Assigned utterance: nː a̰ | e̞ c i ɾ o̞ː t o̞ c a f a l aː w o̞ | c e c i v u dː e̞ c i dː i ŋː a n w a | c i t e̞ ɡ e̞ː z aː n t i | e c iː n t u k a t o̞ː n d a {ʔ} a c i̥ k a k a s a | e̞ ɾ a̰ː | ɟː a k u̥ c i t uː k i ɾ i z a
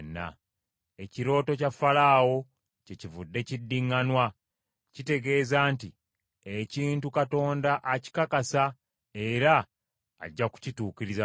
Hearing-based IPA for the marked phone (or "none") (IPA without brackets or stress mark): ʔ